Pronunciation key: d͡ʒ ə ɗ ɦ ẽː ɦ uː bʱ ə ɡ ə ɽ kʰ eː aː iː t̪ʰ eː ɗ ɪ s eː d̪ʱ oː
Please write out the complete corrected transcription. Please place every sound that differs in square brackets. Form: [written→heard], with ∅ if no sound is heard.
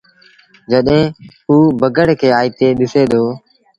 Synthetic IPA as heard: d͡ʒ ə ɗ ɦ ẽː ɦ uː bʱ ə ɡ ə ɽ kʰ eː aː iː [t̪ʰ→t̪] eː ɗ ɪ s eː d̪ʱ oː